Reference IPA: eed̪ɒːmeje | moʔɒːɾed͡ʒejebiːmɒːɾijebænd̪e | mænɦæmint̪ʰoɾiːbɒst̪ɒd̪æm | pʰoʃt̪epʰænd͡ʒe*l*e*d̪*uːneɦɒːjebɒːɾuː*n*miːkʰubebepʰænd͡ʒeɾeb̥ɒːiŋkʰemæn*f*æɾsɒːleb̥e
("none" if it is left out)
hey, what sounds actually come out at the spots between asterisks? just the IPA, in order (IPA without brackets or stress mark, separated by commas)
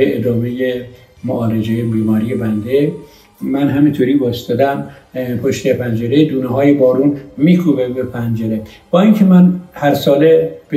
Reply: ɾ, d̪, n, h